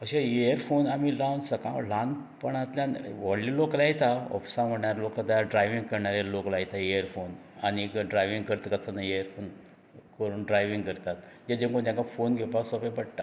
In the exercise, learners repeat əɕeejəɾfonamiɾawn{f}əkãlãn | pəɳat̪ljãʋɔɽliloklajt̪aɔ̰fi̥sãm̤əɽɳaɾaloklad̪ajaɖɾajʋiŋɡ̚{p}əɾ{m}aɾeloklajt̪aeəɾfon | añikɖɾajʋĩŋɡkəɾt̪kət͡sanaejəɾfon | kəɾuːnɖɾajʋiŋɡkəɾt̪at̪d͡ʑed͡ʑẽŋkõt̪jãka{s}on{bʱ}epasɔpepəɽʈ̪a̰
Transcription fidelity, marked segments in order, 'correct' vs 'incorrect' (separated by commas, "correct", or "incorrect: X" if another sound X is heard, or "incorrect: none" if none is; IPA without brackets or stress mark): incorrect: s, incorrect: k, incorrect: ɳ, incorrect: f, incorrect: ɡʱ